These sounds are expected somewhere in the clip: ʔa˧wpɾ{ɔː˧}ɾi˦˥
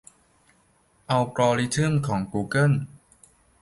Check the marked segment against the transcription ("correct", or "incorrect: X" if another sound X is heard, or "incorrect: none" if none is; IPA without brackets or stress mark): correct